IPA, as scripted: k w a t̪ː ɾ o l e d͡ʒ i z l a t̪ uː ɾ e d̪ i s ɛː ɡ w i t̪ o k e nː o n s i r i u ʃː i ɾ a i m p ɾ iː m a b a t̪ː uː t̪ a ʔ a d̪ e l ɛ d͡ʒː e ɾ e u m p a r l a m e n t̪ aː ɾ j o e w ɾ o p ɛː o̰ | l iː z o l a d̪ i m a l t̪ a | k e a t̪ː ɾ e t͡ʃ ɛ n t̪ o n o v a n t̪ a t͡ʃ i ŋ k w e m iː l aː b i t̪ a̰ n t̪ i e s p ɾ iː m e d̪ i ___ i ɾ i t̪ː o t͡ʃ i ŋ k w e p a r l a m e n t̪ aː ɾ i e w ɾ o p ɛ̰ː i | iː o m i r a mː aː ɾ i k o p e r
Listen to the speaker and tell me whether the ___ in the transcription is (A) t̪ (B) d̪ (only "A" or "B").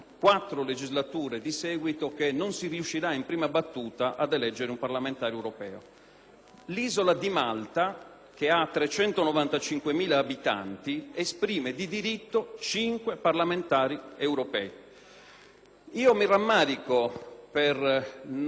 B